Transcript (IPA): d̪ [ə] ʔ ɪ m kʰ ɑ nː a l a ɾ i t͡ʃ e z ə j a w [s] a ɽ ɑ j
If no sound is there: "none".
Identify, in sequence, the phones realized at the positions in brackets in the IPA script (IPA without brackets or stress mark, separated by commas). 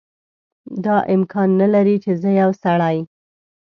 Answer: ɑ, s